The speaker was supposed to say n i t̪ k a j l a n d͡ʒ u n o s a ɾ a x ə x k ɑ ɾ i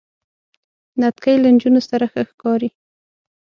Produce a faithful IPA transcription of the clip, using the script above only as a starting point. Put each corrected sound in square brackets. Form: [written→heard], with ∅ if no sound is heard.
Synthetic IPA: n [i→a] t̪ k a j l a n d͡ʒ u n o s a ɾ a x ə x k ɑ ɾ i